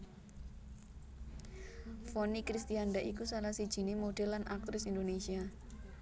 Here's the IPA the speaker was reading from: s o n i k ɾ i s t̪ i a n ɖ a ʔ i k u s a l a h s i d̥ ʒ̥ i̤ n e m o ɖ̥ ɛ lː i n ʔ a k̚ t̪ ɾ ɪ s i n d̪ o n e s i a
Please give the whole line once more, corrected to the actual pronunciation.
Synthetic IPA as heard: f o n i k ɾ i s t̪ i a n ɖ a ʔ i k u s a l a h s i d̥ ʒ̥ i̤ n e m o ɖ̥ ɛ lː a n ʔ a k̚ t̪ ɾ ɪ s i n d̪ o n e s i a